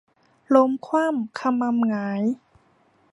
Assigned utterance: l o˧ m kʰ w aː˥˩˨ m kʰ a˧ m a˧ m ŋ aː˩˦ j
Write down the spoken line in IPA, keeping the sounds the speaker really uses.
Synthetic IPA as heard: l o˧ m kʰ w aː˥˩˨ m kʰ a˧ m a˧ m ŋ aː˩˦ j